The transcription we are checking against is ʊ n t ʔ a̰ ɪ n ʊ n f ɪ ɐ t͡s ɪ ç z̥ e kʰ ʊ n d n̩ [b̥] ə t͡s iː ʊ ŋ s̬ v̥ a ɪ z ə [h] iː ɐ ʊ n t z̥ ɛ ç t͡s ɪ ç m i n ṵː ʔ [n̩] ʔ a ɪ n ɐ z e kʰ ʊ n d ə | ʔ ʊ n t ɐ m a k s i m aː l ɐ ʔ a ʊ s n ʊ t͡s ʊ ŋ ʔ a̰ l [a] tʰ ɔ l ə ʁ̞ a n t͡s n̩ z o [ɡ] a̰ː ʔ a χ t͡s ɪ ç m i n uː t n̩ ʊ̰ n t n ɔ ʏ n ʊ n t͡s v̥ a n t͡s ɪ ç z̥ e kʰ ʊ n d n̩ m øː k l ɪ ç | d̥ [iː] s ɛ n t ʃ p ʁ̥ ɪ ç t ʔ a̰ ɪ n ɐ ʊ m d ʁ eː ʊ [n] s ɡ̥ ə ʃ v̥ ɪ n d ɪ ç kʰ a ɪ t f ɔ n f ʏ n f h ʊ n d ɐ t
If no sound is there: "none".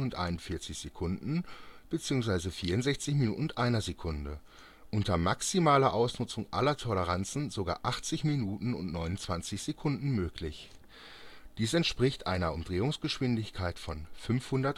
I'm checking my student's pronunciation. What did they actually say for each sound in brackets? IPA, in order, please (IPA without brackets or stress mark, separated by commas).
b̥, f, n̩, ɐ, ɡ, iː, ŋ